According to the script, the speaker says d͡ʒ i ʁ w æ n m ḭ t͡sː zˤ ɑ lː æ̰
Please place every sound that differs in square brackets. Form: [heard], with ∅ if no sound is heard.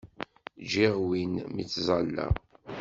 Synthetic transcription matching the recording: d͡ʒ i ʁ w [i] n m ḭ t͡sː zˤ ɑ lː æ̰